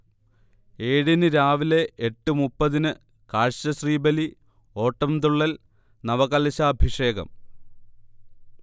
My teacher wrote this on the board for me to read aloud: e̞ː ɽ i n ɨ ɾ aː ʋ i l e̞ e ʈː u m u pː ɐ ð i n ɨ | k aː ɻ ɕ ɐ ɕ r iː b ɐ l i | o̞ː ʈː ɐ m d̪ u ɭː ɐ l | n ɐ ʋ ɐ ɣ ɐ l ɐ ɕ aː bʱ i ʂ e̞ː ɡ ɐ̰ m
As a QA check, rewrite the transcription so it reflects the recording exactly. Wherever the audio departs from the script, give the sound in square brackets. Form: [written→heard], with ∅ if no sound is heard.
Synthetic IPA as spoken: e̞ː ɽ i n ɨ ɾ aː ʋ i l e̞ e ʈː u m u pː ɐ ð i n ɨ | k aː ɻ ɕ ɐ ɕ r iː b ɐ l i | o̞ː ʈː ɐ m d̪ u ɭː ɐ l | n ɐ ʋ ɐ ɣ ɐ l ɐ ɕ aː bʱ i ʂ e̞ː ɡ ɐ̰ m

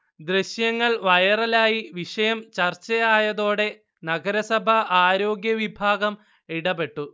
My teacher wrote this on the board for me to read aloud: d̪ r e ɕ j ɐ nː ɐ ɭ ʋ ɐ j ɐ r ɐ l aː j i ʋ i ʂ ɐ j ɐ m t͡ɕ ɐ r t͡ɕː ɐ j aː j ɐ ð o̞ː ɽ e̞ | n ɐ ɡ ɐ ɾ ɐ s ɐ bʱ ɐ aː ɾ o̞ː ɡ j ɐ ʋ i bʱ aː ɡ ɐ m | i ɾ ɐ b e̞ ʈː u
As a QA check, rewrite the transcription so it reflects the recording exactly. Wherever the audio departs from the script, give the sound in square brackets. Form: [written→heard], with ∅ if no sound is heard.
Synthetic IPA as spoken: d̪ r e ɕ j ɐ [nː→ŋː] ɐ ɭ ʋ ɐ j ɐ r ɐ l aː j i ʋ i ʂ ɐ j ɐ m t͡ɕ ɐ r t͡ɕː ɐ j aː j ɐ ð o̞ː ɽ e̞ | n ɐ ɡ ɐ ɾ ɐ s ɐ bʱ ɐ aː ɾ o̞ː ɡ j ɐ ʋ i bʱ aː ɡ ɐ m | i [ɾ→ɽ] ɐ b e̞ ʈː u

